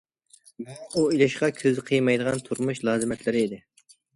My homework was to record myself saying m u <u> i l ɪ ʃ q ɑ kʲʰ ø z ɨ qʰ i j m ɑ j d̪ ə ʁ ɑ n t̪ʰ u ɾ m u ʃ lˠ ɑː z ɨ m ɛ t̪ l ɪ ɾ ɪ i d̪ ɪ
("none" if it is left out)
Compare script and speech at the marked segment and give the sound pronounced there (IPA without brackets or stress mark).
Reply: u